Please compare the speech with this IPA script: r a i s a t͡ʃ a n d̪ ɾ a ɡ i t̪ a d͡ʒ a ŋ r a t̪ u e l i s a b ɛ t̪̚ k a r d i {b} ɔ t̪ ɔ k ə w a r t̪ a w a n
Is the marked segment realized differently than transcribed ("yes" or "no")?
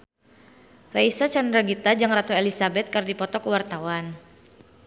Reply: yes